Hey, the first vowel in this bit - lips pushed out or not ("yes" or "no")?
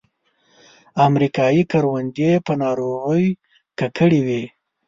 no